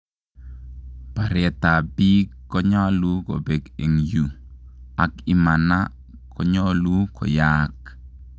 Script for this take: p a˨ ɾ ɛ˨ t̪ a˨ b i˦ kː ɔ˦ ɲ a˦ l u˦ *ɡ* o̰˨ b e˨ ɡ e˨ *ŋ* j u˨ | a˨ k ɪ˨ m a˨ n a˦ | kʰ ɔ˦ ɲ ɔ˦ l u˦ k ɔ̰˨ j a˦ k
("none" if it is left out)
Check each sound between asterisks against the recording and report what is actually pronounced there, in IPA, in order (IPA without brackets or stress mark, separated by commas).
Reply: k, ŋ